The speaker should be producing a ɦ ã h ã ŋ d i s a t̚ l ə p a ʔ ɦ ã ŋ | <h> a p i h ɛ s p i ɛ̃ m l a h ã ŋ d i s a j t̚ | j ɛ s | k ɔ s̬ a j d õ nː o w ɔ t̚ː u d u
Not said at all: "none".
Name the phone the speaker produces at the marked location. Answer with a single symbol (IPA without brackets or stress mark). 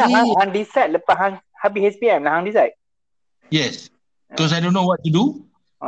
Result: h